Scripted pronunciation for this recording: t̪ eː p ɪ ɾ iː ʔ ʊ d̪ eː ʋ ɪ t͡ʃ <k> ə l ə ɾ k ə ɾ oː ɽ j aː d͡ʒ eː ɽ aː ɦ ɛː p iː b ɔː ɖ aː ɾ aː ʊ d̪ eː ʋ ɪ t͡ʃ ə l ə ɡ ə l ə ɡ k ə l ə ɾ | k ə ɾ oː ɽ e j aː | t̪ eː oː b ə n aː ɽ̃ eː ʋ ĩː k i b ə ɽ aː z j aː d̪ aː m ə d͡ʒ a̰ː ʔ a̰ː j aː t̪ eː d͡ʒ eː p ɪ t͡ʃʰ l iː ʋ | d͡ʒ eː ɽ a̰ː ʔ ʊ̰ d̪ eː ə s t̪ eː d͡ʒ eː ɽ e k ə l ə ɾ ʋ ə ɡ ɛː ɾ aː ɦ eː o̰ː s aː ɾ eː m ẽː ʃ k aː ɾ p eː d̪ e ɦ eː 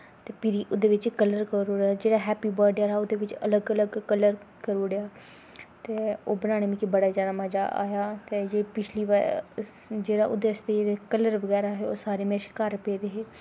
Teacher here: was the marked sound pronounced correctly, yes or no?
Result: yes